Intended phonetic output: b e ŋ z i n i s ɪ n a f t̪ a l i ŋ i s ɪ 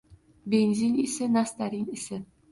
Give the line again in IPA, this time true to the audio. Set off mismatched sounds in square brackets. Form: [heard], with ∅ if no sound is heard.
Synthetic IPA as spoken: b e [n] z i n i s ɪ n a [s] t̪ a [ɾ] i [n] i s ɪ